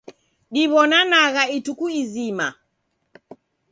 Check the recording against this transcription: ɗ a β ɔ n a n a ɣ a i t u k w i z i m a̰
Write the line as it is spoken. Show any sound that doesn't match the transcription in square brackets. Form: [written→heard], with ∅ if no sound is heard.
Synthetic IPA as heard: ɗ [a→i] β ɔ n a n a ɣ a i t u k [w→u] i z i m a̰